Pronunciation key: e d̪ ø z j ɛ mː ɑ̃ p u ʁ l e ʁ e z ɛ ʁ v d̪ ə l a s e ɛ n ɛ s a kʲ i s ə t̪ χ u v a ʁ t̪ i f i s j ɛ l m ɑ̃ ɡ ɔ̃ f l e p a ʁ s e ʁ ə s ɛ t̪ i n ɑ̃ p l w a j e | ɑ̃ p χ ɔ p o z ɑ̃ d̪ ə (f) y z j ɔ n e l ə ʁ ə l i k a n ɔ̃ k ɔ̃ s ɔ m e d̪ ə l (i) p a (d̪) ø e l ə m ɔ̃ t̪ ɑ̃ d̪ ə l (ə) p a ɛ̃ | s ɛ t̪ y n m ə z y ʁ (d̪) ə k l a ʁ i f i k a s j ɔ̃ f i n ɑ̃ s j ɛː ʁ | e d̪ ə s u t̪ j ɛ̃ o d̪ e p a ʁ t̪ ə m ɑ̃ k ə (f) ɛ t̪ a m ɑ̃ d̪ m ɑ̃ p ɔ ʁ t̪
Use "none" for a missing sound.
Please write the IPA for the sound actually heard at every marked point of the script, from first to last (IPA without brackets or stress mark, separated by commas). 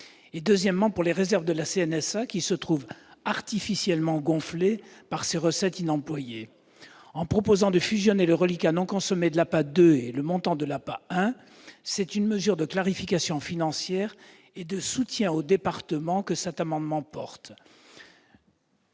f, a, d̪, a, d̪, s